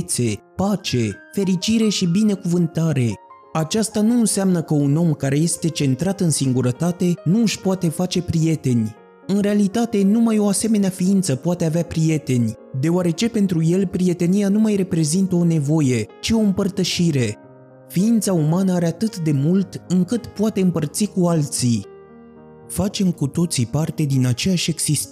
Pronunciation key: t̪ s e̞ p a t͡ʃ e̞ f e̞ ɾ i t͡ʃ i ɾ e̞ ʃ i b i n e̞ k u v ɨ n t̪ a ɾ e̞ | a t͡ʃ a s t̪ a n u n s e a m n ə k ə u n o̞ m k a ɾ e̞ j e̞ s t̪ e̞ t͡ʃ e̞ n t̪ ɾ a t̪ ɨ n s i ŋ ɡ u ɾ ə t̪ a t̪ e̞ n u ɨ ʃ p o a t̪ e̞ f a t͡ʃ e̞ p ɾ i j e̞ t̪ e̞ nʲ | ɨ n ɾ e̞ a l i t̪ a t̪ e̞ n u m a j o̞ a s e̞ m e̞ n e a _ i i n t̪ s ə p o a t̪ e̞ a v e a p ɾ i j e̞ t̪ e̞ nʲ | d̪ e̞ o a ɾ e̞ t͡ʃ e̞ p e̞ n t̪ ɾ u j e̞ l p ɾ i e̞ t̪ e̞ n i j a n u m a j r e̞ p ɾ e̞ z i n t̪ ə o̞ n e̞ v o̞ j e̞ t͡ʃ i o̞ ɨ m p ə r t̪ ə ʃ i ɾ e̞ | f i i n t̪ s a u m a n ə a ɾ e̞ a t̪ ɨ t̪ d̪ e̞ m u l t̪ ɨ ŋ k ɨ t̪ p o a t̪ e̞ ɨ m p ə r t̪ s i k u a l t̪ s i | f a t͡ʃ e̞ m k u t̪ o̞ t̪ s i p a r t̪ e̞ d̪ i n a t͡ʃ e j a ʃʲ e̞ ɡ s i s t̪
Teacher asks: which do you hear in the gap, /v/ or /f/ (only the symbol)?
f